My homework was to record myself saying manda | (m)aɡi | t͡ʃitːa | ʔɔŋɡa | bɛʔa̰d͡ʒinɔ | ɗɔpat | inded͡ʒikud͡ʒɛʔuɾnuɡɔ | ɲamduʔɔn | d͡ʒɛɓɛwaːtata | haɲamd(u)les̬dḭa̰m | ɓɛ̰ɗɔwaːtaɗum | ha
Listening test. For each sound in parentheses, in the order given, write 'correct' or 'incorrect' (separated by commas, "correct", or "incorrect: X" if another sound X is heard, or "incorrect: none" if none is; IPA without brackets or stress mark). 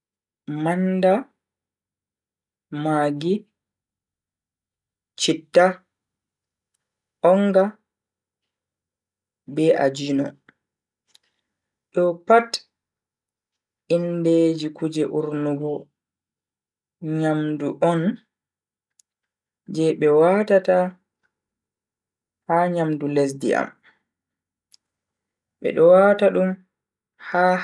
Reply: correct, correct